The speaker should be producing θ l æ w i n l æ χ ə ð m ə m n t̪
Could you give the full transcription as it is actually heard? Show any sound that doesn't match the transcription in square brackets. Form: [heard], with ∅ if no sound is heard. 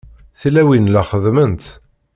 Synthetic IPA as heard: θ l æ w i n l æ χ ə ð m ə [∅] n t̪